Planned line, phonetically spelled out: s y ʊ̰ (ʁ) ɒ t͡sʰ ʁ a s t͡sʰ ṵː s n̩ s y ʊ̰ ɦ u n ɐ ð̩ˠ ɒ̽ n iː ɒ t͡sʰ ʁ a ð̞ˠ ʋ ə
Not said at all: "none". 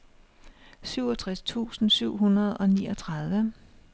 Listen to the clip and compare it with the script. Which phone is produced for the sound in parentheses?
none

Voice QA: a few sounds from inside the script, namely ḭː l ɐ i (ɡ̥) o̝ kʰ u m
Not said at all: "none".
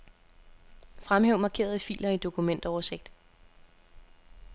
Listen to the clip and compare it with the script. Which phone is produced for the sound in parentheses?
d̥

